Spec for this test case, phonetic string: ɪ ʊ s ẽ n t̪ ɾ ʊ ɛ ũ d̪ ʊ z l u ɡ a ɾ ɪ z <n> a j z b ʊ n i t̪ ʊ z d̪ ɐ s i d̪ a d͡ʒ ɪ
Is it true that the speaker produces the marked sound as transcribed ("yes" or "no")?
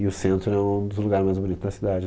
no